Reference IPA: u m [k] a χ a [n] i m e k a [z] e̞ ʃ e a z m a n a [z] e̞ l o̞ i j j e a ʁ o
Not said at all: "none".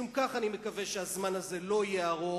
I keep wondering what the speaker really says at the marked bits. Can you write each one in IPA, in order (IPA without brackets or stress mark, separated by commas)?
k, n, v, z